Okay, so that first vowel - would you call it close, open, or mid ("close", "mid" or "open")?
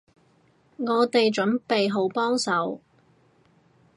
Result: mid